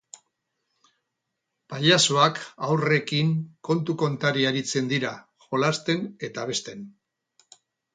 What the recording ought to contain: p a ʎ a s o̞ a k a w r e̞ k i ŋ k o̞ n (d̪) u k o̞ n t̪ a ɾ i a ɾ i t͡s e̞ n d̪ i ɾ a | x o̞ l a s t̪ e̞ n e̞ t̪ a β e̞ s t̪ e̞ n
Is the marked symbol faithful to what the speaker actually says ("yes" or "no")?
no